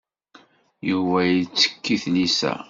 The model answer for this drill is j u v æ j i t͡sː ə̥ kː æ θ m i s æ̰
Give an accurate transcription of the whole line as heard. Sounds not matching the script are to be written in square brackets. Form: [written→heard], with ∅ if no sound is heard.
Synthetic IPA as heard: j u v æ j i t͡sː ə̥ kː [æ→i] θ [m→n] i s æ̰